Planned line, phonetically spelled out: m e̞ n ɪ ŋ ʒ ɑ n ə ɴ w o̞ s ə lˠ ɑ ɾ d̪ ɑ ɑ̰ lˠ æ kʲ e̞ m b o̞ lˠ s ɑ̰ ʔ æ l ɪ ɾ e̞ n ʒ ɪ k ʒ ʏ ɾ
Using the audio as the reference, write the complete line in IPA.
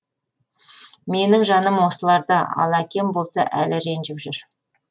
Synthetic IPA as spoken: m e̞ n ɪ ŋ ʒ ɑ n ə m w o̞ s ə lˠ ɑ ɾ d̪ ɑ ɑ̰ lˠ æ kʲ e̞ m b o̞ lˠ s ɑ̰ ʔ æ l ɪ ɾ e̞ n ʒ ɪ p ʒ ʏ ɾ